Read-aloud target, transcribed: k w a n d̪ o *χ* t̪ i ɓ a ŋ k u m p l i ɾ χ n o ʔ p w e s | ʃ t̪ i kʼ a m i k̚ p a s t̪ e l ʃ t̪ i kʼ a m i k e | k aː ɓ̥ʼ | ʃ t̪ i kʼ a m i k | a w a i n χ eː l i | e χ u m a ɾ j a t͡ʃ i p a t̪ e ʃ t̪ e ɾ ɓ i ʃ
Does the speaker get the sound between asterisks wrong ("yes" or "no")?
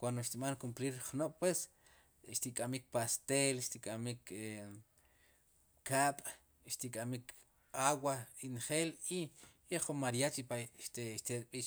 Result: yes